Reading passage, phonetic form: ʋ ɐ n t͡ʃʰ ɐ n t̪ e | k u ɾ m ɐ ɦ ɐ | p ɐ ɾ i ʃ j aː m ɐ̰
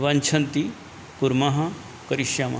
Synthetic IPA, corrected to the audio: ʋ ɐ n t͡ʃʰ ɐ n t̪ i | k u ɾ m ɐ ɦ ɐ | k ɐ ɾ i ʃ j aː m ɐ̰